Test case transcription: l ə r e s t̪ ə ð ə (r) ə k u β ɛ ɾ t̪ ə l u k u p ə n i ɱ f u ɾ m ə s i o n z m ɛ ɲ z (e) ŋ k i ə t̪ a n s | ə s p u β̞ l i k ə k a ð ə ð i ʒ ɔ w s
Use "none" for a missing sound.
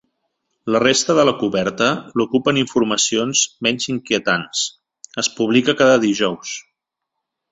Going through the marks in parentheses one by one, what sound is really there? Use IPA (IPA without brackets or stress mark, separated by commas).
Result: l, i